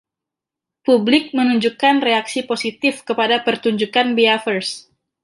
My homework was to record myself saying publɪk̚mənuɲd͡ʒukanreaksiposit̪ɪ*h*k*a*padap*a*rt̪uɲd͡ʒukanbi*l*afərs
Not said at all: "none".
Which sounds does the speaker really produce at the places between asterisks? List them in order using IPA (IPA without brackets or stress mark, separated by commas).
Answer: f, ə, ə, none